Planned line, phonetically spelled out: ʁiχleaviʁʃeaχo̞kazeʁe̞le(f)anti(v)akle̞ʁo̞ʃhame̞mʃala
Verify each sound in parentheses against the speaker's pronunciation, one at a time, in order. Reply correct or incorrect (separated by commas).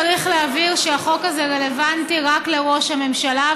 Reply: incorrect, incorrect